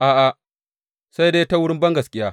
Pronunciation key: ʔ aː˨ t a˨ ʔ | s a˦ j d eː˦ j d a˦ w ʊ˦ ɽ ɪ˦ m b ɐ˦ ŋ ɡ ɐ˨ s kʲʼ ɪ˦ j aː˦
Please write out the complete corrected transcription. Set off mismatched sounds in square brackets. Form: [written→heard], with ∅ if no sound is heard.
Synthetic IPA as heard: ʔ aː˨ [t→ʔ] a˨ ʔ | s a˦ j d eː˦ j [d→t] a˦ w ʊ˦ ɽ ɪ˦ m b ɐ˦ ŋ ɡ ɐ˨ s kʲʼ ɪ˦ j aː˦

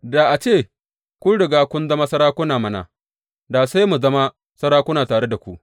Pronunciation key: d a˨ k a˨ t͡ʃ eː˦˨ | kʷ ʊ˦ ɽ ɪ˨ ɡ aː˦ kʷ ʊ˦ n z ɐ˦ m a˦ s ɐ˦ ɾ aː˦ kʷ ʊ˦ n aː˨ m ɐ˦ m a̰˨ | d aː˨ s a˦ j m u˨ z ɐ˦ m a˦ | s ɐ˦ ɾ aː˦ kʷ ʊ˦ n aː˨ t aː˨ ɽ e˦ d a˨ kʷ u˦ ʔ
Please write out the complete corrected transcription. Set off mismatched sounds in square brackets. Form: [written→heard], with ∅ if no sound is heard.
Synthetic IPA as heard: d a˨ [k→ʔ] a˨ t͡ʃ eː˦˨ | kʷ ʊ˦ ɽ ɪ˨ ɡ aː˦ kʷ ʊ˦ n z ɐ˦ m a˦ s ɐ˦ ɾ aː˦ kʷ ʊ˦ n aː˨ m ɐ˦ [m→n] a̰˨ | d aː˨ s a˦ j m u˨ z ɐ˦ m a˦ | s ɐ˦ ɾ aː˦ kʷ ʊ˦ n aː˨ t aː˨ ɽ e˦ d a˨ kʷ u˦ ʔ

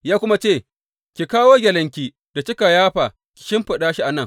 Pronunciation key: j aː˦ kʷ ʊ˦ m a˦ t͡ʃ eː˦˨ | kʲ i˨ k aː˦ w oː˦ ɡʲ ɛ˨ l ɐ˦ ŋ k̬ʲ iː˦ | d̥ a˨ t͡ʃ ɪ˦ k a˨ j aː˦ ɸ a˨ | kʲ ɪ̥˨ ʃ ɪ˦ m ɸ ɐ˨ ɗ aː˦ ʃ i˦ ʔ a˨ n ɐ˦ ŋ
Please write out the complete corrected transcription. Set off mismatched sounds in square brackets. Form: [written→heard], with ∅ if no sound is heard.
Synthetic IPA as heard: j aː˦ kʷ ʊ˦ m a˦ t͡ʃ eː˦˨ | kʲ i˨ k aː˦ w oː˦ ɡʲ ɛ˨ l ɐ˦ ŋ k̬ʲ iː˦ | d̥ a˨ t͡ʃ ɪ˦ k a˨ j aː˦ ɸ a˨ | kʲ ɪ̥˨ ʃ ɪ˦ m ɸ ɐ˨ ɗ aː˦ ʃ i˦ ʔ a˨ n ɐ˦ ŋ

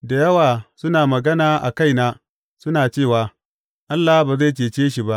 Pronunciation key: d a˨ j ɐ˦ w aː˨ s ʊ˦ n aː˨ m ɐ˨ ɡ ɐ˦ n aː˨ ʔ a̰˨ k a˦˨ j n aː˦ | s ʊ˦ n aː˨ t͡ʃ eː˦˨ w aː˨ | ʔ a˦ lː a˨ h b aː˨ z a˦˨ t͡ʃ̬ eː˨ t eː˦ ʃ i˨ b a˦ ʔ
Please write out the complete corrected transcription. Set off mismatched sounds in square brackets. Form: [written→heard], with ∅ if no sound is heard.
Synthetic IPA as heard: d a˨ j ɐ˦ w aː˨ s ʊ˦ n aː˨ m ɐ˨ ɡ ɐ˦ n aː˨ ʔ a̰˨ k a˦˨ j n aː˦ | s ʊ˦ n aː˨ t͡ʃ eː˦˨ w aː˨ | ʔ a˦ lː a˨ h b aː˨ z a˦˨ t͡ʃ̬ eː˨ [t→t͡ʃ] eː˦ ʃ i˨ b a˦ ʔ

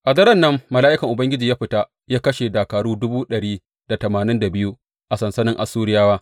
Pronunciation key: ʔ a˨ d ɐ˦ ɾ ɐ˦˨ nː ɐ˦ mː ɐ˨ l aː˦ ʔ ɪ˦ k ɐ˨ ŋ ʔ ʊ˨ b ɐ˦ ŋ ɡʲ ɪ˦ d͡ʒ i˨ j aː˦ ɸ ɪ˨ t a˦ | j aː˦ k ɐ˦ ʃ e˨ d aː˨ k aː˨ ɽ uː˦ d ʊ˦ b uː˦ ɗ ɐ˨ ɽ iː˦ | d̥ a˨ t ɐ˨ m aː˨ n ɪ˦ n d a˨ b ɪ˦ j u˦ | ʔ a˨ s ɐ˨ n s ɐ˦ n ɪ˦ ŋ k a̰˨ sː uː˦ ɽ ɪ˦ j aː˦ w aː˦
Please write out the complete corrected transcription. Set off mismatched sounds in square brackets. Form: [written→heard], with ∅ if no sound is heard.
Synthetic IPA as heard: ʔ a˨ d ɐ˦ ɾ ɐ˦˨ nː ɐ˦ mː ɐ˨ l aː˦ ʔ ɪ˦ k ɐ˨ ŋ ʔ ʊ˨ b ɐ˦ ŋ ɡʲ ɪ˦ d͡ʒ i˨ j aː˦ ɸ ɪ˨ t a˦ | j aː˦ k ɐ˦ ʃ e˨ d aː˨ k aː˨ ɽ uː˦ d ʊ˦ b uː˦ ɗ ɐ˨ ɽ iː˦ | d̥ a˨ t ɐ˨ m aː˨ n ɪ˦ n d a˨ b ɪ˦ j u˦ | ʔ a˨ s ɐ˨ n s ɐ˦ n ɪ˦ ŋ [k→ʔ] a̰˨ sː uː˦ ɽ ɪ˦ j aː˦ w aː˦

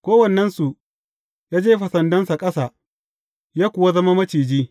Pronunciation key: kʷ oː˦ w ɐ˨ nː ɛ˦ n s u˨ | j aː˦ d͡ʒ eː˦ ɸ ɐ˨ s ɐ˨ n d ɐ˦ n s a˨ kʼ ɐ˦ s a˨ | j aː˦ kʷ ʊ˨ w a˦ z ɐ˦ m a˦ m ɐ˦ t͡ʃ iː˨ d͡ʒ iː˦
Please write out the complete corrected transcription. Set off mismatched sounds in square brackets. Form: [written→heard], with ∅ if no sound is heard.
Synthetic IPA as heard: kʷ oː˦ w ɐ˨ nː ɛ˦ n s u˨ | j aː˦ d͡ʒ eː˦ ɸ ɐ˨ s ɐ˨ n d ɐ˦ n s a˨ kʼ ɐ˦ s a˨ | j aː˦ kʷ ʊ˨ w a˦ z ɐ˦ m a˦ m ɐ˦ t͡ʃ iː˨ d͡ʒ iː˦

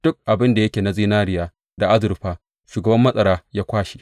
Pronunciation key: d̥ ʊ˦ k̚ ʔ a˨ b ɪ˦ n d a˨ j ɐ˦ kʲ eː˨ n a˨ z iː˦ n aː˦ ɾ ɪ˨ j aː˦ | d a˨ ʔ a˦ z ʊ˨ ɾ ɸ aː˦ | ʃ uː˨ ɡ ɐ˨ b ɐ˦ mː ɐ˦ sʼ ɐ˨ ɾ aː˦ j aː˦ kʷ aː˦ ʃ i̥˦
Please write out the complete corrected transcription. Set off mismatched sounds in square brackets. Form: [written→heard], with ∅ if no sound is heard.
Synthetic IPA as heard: d̥ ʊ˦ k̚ ʔ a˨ b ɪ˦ n d a˨ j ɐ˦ kʲ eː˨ n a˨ z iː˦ n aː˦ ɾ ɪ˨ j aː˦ | d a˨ ʔ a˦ z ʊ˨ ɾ ɸ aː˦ | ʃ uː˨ ɡ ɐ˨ b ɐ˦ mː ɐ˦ sʼ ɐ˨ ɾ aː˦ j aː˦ kʷ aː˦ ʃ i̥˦

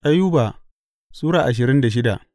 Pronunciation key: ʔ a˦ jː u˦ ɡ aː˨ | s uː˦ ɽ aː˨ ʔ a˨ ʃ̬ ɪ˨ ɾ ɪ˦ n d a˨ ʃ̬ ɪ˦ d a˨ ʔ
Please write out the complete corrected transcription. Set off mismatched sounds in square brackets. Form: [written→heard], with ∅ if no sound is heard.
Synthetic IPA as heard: ʔ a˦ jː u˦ [ɡ→b] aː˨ | s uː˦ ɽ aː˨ ʔ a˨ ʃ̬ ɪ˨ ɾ ɪ˦ n d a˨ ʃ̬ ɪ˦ d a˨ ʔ

